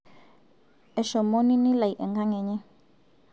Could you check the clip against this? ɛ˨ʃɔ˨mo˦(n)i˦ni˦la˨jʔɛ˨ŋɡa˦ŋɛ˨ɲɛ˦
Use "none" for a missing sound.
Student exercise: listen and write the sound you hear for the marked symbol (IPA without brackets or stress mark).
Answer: n